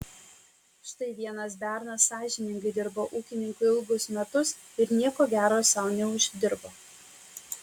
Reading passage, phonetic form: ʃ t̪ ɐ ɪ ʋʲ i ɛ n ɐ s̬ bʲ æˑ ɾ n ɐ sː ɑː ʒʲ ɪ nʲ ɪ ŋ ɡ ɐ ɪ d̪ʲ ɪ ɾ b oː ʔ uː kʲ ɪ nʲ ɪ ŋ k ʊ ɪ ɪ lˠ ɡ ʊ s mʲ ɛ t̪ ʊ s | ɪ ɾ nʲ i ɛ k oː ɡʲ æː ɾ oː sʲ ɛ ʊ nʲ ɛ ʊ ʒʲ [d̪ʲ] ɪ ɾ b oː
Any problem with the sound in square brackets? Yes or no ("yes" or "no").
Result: no